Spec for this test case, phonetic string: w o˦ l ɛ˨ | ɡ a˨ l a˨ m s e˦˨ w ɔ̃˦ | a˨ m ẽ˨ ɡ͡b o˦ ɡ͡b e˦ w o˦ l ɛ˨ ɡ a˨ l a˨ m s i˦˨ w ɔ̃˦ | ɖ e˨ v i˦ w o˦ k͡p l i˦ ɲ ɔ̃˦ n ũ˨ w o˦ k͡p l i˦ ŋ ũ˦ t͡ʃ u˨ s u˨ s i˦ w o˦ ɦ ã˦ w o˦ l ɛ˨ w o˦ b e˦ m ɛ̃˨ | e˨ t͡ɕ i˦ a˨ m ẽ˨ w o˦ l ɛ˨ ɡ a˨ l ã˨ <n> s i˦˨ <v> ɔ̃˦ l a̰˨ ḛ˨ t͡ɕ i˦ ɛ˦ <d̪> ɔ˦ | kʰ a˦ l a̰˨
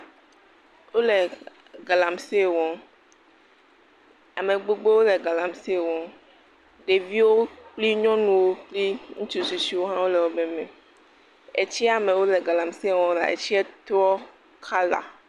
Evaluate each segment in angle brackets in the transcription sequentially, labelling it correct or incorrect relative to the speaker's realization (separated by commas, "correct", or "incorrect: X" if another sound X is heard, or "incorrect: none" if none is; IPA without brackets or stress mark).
incorrect: m, incorrect: w, incorrect: t̪